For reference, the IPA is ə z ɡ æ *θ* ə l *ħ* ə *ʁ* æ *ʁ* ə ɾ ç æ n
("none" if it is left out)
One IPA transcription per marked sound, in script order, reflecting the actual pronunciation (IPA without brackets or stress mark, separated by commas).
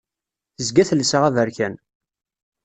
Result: θ, s, ʁ, v